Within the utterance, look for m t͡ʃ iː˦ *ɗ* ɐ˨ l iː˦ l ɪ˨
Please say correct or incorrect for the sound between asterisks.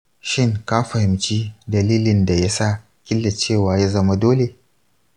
incorrect